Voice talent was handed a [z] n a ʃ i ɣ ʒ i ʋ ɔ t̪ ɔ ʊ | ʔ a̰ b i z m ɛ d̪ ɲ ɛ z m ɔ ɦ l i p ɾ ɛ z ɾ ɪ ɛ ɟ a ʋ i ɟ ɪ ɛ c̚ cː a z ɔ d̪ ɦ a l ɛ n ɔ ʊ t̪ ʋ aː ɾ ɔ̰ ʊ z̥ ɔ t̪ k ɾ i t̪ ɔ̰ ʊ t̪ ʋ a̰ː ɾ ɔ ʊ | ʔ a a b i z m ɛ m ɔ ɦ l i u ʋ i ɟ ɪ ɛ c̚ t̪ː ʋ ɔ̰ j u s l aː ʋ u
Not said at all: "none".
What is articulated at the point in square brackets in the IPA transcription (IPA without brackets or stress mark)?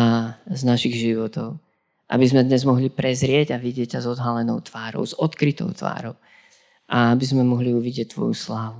z